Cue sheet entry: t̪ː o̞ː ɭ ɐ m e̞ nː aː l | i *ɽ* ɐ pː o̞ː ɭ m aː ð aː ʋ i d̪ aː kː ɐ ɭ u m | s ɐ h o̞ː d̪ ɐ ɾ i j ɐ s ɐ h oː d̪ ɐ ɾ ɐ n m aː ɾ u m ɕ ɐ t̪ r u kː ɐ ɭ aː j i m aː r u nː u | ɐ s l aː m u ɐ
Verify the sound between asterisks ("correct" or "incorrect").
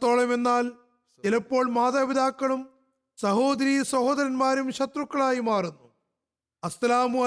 incorrect